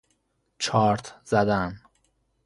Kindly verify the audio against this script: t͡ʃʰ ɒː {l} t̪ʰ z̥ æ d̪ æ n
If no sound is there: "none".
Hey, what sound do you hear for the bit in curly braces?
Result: ɾ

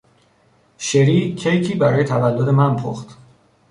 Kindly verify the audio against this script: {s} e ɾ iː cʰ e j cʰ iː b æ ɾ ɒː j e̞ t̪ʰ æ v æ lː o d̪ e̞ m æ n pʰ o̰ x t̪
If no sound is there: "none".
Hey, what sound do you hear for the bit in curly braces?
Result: ʃ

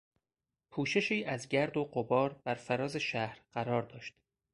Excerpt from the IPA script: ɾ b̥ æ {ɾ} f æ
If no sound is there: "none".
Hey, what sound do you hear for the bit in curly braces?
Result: ɾ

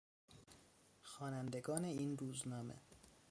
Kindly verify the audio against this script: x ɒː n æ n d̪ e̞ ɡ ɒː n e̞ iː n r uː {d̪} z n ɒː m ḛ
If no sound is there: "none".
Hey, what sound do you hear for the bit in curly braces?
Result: none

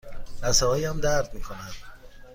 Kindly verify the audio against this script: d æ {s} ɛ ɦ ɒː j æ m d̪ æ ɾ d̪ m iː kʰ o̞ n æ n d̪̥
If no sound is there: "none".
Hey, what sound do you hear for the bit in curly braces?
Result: s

